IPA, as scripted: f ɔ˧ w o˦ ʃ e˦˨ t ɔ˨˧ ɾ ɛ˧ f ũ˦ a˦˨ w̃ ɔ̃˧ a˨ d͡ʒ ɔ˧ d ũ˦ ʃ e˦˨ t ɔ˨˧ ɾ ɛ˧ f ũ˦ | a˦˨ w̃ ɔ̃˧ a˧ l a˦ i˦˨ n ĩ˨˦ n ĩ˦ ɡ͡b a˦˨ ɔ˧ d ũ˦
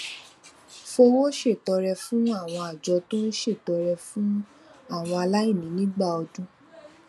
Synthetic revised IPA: f o˧ w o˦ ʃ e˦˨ t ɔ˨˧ ɾ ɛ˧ f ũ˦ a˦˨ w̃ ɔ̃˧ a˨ d͡ʒ ɔ˧ t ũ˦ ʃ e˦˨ t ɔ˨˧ ɾ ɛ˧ f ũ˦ | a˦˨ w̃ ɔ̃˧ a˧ l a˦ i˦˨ n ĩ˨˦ n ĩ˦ ɡ͡b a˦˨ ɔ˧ d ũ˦